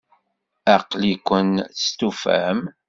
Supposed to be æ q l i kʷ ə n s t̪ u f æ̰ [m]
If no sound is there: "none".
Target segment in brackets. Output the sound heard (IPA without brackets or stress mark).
m